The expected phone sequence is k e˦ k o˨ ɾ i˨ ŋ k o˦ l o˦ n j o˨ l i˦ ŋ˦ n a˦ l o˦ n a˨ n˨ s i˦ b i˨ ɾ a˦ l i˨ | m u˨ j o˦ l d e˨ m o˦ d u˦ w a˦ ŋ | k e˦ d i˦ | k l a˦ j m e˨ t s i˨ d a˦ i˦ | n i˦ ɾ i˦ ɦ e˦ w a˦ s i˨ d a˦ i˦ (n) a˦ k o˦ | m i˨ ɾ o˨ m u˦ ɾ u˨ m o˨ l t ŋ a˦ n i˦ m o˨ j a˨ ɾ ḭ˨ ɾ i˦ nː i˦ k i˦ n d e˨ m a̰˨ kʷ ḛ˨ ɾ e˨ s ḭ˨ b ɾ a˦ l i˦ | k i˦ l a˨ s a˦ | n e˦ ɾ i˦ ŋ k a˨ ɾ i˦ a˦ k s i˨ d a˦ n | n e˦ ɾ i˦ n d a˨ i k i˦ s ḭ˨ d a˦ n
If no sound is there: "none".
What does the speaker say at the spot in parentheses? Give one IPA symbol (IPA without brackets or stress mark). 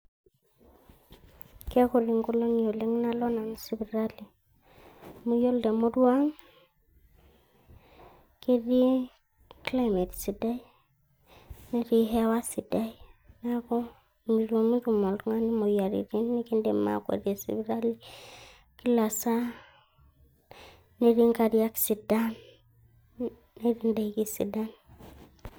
n